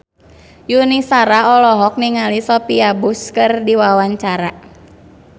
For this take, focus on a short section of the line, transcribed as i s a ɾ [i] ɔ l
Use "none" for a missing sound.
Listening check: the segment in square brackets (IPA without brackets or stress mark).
a